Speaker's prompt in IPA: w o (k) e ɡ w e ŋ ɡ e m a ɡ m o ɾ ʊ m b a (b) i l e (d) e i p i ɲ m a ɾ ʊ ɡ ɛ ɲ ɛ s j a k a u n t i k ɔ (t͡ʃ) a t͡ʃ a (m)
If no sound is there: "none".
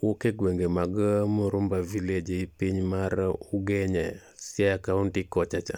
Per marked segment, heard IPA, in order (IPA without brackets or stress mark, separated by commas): k, v, d͡ʒ, t͡ʃ, none